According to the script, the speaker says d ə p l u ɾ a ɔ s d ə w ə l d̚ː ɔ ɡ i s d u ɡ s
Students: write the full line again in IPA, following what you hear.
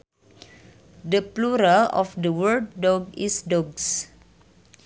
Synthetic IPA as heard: d ə p l u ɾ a ɔ f d ə w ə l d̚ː ɔ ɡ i s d ɔ ɡ s